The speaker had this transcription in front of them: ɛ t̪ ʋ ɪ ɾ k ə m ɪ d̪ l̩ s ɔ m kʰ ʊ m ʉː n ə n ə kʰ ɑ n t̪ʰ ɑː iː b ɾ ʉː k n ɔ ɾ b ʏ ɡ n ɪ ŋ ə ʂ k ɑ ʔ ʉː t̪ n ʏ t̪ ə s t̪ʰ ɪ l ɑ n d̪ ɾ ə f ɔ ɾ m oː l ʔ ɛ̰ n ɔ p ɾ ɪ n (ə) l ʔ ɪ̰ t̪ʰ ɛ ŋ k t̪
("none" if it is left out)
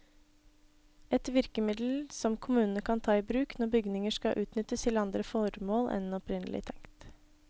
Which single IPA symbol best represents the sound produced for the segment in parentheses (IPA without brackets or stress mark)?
ə